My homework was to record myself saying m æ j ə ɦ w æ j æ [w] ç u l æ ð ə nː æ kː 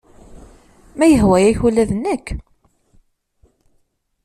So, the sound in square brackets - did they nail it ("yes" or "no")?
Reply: no